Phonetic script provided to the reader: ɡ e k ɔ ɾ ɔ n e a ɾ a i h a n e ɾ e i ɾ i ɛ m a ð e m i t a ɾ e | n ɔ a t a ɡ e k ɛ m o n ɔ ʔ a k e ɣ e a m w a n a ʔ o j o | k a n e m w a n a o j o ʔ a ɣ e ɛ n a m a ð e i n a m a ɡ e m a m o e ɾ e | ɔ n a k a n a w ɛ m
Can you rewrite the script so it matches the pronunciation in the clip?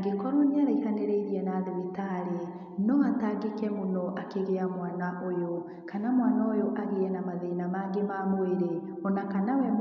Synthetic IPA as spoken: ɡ e k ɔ ɾ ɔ n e a ɾ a i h a n e ɾ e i ɾ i ɛ n a ð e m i t a ɾ e | n ɔ a t a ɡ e k ɛ m o n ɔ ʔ a k e ɣ e a m w a n a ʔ o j o | k a n a m w a n a o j o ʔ a ɣ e ɛ n a m a ð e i n a m a ɡ e m a m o e ɾ e | ɔ n a k a n a w ɛ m